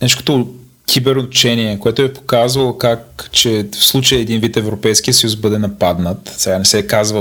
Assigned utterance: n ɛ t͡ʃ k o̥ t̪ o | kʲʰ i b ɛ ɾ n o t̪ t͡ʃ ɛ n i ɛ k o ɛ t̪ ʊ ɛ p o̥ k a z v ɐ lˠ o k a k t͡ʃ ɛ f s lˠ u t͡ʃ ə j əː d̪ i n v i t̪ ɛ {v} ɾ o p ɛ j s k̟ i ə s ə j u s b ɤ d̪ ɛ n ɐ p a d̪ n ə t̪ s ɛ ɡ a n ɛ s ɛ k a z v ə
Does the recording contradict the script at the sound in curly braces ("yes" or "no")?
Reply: no